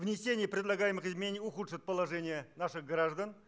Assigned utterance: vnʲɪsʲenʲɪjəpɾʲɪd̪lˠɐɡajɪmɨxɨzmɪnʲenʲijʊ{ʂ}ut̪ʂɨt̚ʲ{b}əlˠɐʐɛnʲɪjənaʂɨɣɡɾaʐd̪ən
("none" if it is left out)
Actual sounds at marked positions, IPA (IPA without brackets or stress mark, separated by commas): x, p